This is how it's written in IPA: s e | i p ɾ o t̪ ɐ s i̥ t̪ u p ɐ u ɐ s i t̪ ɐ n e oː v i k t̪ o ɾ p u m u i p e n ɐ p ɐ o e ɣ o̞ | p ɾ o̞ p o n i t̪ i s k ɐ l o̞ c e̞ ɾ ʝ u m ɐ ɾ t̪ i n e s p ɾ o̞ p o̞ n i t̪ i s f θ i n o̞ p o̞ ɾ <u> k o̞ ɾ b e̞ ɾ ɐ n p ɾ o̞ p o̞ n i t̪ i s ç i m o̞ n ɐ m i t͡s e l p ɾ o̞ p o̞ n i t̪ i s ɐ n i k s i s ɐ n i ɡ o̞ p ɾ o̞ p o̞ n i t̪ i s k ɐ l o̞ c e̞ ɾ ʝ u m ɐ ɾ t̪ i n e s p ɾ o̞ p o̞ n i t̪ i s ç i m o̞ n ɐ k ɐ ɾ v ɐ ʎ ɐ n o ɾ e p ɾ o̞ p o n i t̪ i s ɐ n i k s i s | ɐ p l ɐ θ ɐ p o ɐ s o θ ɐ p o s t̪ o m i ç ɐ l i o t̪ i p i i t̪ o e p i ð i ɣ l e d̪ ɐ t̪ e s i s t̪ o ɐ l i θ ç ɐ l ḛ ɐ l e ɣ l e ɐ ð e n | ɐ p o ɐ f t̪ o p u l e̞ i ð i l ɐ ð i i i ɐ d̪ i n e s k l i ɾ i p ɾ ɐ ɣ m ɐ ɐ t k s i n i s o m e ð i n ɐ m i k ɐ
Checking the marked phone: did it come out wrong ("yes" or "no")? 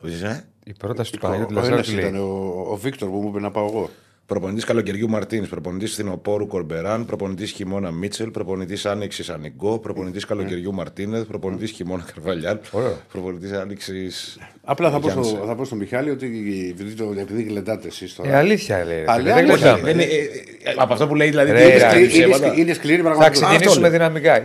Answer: no